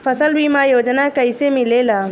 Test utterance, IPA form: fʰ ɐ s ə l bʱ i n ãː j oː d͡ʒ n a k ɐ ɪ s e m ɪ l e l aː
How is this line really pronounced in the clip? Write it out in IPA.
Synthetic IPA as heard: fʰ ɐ s ə l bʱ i m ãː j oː d͡ʒ n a k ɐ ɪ s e m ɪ l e l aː